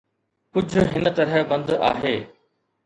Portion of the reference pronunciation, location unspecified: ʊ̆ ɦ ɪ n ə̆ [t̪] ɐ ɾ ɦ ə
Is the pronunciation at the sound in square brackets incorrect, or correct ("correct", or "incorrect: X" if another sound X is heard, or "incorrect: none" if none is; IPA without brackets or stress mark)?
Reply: correct